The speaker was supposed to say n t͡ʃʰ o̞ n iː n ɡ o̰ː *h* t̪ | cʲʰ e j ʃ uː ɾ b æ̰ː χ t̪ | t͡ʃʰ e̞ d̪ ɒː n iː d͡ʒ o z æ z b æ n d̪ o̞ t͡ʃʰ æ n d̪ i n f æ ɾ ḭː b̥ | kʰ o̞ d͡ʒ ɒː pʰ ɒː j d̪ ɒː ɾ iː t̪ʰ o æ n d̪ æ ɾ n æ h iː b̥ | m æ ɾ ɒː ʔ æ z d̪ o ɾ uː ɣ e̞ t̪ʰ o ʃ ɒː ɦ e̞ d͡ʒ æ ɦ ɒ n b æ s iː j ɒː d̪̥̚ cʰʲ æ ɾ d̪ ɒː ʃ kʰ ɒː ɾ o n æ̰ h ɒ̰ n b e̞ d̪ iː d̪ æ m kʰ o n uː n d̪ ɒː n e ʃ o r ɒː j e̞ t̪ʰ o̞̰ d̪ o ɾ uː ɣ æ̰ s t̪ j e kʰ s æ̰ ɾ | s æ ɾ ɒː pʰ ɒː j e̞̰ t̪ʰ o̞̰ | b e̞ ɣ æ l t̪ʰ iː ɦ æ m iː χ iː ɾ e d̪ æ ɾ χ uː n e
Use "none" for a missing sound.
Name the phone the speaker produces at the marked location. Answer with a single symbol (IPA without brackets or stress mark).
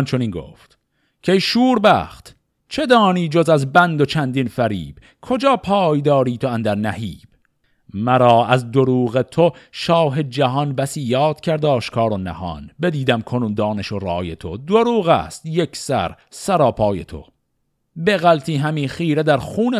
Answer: f